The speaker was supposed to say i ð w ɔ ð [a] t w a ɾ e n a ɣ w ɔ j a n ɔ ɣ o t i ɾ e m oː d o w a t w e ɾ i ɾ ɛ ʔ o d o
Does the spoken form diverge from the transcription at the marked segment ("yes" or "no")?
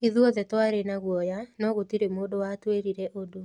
yes